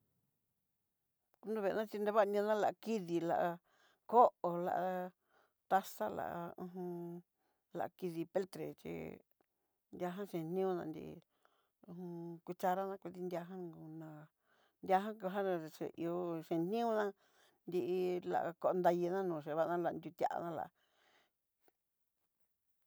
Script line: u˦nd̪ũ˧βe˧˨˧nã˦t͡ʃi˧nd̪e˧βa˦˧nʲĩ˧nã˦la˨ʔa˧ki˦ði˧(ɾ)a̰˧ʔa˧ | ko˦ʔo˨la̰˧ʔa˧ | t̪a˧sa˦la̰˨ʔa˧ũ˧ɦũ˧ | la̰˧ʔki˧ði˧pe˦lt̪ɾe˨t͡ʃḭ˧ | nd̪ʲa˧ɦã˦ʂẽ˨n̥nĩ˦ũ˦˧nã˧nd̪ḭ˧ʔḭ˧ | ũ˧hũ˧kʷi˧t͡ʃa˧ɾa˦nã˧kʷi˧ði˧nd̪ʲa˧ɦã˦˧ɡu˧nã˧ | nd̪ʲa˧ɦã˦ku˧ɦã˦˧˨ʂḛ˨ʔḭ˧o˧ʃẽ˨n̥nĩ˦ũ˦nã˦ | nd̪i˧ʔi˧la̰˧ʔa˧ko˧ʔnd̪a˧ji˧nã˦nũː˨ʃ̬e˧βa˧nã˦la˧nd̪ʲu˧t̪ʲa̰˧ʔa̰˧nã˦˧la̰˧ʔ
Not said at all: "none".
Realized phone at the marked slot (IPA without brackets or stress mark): l